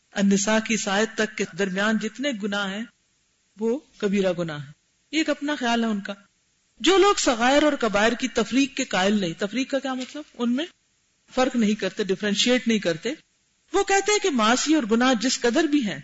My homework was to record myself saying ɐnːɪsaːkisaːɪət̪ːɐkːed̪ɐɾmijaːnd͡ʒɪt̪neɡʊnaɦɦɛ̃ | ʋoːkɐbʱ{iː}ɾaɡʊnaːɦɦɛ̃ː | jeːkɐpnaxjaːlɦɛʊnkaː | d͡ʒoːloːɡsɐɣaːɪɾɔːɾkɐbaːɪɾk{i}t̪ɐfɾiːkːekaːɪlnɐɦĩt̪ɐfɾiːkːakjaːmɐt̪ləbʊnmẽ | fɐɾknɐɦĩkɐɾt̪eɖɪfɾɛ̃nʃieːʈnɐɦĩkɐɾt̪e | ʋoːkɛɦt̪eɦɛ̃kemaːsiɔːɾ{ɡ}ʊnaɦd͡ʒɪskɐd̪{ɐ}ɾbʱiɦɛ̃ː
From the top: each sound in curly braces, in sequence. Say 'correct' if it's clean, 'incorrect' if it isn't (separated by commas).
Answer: correct, correct, correct, incorrect